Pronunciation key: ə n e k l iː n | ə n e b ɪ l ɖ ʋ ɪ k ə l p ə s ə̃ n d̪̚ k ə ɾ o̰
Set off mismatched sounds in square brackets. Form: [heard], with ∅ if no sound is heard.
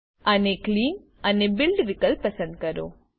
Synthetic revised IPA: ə n e k l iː n | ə n e b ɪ l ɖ ʋ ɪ k ə l p ə s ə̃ n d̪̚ k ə ɾ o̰